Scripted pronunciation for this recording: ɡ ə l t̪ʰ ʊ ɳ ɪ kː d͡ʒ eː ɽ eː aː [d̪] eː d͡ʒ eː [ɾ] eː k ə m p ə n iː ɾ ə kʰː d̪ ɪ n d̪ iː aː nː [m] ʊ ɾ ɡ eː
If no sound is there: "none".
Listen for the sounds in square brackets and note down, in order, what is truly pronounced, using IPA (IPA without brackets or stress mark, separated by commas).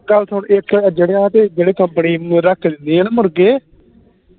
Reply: t̪, ɽ, m